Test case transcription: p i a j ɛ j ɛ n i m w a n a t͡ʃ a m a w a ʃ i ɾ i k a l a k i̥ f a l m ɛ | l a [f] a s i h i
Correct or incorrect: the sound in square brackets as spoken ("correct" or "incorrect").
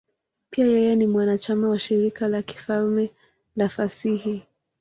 correct